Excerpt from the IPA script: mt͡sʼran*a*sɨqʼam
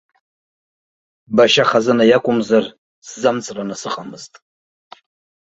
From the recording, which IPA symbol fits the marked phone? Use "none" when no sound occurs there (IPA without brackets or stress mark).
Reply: a